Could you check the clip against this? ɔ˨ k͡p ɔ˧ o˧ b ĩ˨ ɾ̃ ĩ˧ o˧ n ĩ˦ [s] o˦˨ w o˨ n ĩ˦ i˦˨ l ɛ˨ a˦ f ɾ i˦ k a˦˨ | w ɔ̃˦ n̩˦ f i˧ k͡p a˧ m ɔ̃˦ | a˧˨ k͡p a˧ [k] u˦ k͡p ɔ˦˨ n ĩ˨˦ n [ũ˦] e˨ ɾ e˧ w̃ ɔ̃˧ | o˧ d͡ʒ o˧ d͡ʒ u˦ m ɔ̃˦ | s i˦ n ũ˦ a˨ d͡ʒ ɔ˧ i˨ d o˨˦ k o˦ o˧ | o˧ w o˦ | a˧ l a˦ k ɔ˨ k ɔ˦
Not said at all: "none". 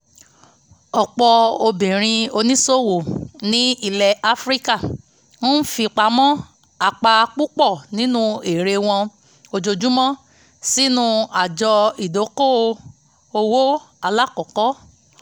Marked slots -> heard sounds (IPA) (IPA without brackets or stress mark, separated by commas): s, k͡p, ũ˦